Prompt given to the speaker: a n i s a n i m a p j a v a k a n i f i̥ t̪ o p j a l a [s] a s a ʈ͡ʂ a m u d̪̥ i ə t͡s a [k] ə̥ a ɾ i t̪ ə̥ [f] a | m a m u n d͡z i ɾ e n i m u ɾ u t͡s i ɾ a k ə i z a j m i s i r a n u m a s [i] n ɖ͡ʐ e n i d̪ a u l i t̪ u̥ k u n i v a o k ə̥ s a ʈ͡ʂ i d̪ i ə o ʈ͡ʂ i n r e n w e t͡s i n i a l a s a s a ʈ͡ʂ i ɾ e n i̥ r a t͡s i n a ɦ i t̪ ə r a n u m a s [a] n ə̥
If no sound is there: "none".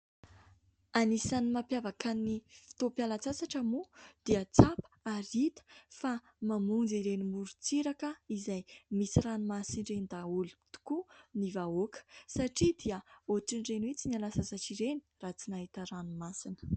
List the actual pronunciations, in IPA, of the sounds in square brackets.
t͡s, p, f, i, i

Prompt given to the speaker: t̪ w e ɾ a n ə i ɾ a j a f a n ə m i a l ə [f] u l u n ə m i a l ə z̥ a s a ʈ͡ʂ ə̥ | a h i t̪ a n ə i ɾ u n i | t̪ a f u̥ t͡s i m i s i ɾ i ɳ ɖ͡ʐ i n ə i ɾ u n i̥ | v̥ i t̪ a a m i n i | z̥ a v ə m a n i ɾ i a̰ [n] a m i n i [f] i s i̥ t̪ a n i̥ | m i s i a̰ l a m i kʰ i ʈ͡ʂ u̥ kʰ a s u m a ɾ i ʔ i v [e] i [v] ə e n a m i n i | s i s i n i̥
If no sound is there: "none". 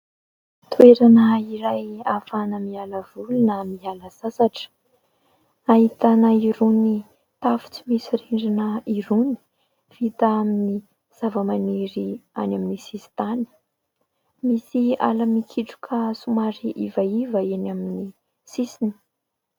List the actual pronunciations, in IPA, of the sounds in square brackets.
v, n, s, a, v

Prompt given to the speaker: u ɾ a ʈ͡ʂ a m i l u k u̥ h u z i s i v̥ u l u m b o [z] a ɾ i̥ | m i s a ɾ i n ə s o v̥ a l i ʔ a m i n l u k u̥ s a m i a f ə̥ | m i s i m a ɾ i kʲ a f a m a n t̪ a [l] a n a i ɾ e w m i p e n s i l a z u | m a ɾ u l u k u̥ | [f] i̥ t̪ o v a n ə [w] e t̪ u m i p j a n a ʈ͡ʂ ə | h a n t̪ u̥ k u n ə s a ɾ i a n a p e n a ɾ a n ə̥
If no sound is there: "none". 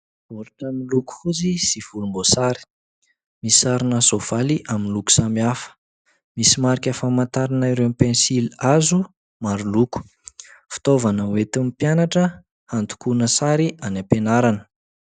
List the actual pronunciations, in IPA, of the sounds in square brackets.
s, ɾ, f, w

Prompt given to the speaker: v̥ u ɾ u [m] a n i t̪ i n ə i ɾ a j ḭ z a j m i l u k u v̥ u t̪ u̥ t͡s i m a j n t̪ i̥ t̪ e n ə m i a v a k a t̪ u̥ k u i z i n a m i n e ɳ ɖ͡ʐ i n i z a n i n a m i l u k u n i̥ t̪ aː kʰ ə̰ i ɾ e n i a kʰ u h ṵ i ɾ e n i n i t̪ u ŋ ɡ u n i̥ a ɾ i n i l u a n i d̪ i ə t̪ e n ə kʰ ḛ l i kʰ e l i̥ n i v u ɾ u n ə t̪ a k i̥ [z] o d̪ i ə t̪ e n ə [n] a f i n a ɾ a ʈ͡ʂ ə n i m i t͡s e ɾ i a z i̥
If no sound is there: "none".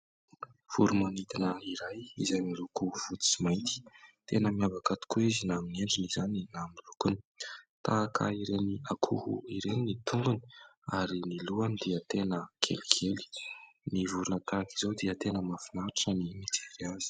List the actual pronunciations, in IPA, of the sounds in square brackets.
m, z, m

